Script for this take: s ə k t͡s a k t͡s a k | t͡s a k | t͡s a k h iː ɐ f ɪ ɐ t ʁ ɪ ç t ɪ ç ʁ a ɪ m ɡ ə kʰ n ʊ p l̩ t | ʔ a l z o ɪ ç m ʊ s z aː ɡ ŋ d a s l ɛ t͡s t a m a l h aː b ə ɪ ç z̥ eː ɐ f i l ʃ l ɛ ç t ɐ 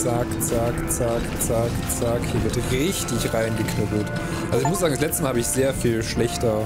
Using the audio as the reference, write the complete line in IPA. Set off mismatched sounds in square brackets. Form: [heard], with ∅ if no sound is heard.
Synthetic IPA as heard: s [a] k t͡s a k t͡s a k | t͡s a k | t͡s a k h iː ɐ [v] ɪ ɐ t ʁ ɪ ç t ɪ ç ʁ a ɪ [n] ɡ ə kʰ n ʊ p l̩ t | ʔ a l z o ɪ ç m ʊ s z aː ɡ ŋ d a s l ɛ t͡s t [ə] m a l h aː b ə ɪ ç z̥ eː ɐ f [iː] l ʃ l ɛ ç t ɐ